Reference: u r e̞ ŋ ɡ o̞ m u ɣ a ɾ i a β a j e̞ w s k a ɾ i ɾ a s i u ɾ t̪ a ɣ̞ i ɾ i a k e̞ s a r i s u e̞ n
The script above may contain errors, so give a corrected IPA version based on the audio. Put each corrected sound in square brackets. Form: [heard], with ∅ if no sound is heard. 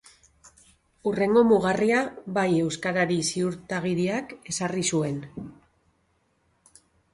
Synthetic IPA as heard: u r e̞ ŋ ɡ o̞ m u ɣ a [r] i a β a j e̞ w s k a ɾ [a] ɾ [i] s i u ɾ t̪ a ɣ̞ i ɾ i a k e̞ s a r i s u e̞ n